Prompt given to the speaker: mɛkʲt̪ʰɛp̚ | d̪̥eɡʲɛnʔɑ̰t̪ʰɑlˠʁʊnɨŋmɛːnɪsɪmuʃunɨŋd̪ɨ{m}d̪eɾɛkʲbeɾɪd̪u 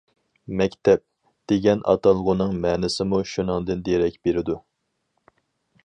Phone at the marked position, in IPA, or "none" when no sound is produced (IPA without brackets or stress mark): n